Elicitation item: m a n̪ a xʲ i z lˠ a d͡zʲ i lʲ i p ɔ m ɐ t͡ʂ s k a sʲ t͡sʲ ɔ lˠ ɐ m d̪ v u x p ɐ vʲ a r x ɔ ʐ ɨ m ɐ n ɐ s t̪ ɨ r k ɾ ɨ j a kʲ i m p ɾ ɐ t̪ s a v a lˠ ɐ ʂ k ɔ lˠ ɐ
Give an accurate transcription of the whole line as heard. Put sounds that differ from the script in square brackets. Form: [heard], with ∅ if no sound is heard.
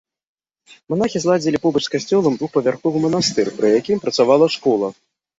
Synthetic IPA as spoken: m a n̪ a xʲ i z lˠ a d͡zʲ i lʲ i p ɔ [b] ɐ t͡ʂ s k a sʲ t͡sʲ ɔ lˠ ɐ m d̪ v u x p ɐ vʲ a r x ɔ [v] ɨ m ɐ n [a] s t̪ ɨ r [p] ɾ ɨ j a kʲ i m p ɾ ɐ t̪ s a v a lˠ ɐ ʂ k ɔ lˠ ɐ